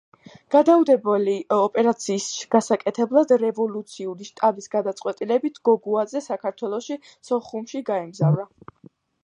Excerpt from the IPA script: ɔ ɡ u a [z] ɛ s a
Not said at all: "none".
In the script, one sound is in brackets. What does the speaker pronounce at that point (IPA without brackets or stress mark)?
z